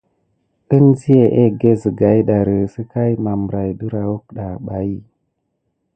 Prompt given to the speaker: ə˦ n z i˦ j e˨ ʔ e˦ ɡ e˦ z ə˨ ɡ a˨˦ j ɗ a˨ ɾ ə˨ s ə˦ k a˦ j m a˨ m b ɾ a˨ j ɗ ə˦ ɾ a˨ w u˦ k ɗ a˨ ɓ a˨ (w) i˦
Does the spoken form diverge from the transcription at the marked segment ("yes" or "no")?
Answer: yes